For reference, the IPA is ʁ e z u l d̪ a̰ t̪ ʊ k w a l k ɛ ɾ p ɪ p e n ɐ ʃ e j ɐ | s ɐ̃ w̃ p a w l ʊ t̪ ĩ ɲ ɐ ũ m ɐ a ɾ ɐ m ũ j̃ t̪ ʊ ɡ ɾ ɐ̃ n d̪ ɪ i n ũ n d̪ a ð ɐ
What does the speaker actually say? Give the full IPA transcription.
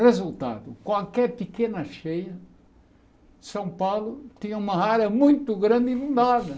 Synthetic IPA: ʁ e z u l t̪ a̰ d̪ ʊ k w a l k ɛ ɾ p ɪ k e n ɐ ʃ e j ɐ | s ɐ̃ w̃ p a w l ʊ t̪ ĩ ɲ ɐ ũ m ɐ a ɾ ɐ m ũ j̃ t̪ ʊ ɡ ɾ ɐ̃ n d̪ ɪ i n ũ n d̪ a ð ɐ